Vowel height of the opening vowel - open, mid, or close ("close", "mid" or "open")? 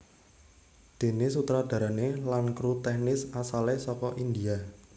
mid